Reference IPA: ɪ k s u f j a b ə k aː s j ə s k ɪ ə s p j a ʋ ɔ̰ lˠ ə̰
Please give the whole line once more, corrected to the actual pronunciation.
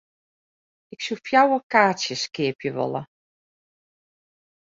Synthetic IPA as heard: ɪ k s u f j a w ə k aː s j ə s k ɪ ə p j ə ʋ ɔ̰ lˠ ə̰